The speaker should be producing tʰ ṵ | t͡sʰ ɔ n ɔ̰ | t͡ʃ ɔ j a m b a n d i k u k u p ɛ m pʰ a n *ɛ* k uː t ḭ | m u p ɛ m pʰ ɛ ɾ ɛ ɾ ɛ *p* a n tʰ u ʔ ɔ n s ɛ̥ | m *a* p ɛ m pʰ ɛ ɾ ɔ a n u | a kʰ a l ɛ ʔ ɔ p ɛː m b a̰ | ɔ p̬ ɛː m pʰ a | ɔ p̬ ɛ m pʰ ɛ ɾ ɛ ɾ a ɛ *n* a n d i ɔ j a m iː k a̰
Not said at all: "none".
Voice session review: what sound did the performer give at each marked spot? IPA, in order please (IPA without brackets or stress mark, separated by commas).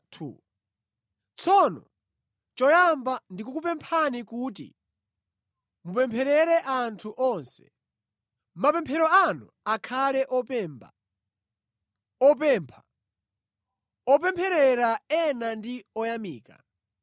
i, ʔ, a, n